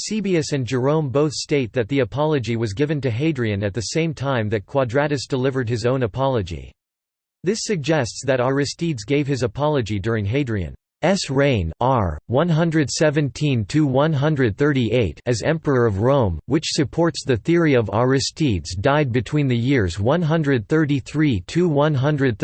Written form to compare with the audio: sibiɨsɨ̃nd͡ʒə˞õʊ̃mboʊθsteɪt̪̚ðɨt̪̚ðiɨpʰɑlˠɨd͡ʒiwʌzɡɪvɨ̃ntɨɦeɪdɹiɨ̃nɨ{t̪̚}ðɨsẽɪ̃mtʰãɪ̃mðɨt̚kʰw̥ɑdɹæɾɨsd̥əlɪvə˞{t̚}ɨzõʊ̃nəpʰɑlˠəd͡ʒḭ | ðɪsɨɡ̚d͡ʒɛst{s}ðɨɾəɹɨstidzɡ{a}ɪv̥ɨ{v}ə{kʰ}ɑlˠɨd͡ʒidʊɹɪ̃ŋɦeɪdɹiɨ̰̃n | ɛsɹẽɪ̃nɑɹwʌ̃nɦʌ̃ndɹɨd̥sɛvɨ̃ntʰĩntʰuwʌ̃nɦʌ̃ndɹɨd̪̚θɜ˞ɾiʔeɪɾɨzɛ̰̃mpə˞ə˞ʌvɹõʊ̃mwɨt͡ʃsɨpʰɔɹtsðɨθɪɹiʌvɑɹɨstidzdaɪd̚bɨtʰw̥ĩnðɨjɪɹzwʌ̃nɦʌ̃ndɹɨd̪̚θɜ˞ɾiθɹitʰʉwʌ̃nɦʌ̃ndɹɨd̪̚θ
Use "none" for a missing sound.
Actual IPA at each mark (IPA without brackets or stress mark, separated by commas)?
t̪̚, d̚, s, e, z, pʰ